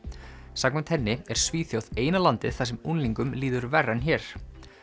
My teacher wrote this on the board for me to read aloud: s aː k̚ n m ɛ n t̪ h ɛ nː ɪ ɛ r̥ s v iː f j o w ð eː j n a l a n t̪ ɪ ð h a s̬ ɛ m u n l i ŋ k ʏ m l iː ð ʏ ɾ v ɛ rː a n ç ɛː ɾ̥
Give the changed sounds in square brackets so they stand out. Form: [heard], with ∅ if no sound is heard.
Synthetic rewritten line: s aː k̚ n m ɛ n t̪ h ɛ nː ɪ ɛ [ɾ̥] s v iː [θ] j o w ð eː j n a l a n t̪ ɪ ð [θ] a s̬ ɛ m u n l i ŋ k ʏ m l iː ð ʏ ɾ v ɛ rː a n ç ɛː ɾ̥